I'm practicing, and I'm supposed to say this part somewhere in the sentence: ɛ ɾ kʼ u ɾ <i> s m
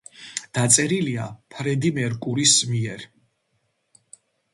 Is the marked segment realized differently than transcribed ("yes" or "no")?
no